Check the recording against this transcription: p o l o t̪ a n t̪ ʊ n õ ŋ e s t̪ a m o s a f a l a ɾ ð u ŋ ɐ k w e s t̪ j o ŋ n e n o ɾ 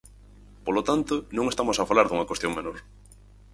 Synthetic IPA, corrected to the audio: p o l o t̪ a n t̪ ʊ n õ ŋ e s t̪ a m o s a f a l a ɾ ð u ŋ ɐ k w e s t̪ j o ŋ m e n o ɾ

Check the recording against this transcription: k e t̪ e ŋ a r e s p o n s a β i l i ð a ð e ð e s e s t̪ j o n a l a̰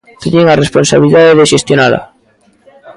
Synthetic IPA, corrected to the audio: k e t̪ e ŋ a r e s p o n s a β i l i ð a ð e ð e ʃ e s t̪ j o n a l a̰

